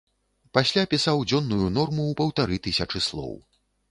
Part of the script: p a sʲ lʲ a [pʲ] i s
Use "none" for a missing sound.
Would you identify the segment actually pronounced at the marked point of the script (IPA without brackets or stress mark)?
pʲ